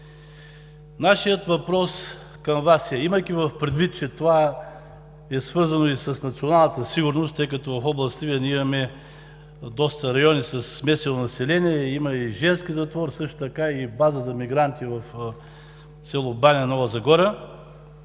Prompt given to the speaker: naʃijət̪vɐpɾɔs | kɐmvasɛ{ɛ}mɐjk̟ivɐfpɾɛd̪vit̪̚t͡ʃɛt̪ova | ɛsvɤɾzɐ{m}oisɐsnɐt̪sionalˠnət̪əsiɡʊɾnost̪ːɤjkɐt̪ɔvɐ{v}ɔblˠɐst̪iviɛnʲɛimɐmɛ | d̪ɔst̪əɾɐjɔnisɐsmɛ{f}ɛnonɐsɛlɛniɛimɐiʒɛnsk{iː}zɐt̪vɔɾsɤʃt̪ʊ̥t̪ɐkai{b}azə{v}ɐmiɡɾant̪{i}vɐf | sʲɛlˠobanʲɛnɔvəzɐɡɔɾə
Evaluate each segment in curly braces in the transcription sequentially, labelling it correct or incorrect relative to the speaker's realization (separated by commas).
incorrect, incorrect, incorrect, incorrect, incorrect, correct, incorrect, correct